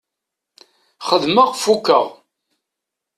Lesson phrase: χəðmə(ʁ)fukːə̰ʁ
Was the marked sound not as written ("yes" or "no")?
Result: no